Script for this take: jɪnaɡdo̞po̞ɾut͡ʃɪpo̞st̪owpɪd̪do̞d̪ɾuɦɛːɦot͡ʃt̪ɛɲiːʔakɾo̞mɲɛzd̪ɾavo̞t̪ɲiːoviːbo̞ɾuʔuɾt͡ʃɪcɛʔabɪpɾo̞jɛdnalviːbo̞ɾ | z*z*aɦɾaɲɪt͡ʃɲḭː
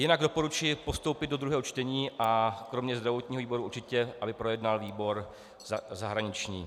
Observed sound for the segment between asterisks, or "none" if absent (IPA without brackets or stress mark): z